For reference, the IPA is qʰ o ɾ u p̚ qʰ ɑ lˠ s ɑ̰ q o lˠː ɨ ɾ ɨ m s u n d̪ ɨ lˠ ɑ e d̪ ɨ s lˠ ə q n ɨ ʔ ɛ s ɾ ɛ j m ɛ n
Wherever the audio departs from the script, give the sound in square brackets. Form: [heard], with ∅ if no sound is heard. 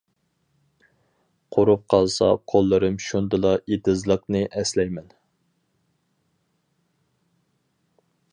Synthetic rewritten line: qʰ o ɾ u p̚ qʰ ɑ lˠ s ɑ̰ [qʰ] o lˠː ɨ ɾ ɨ m [ʃ] u n d̪ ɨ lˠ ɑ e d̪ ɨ [z] lˠ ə q n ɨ ʔ ɛ s [l] ɛ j m ɛ n